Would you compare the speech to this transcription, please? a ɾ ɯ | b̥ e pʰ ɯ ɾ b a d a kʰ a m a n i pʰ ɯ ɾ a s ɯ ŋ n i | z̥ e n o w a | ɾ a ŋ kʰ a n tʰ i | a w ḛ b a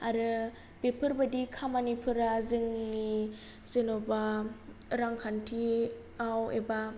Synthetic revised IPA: a ɾ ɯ | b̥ e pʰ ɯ ɾ b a d i kʰ a m a n i pʰ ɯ ɾ a z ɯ ŋ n i | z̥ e n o b a | ɾ a ŋ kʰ a n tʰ i | a w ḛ b a

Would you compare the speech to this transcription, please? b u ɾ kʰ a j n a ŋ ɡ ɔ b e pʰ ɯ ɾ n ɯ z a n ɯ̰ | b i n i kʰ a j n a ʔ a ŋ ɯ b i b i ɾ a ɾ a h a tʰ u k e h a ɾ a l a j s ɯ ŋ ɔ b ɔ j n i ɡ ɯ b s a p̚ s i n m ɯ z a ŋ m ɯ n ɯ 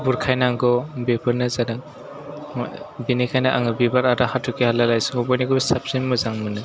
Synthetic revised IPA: b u ɾ kʰ a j n a ŋ ɡ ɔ b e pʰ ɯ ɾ n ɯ z a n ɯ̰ | b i n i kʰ a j n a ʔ a ŋ ɯ b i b a ɾ a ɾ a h a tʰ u k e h a l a l a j s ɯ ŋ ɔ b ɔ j n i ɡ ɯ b s a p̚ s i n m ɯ z a ŋ m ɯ n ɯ

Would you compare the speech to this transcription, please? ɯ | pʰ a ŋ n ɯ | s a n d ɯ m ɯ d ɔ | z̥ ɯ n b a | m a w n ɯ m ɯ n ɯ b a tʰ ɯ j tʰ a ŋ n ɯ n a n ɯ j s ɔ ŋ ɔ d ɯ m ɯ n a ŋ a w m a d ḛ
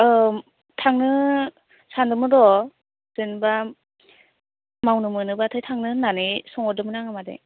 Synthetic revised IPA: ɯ | tʰ a ŋ n ɯ | s a n d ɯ m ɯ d ɔ | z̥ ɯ n b a | m a w n ɯ m ɯ n ɯ b a tʰ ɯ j tʰ a ŋ n ɯ n a n ɯ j s ɔ ŋ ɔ d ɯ m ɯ n a ŋ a m a d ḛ

